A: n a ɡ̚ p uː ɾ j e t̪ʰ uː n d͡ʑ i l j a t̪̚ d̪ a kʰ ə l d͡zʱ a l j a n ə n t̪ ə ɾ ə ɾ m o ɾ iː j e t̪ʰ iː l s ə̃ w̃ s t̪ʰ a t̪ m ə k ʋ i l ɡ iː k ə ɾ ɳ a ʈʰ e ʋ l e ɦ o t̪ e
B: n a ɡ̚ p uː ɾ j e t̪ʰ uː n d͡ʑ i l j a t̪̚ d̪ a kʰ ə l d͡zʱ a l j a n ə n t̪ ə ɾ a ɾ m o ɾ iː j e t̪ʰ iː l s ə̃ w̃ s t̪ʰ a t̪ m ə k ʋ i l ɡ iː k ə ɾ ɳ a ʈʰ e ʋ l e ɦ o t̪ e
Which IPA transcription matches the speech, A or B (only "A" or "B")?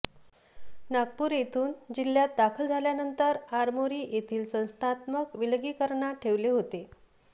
B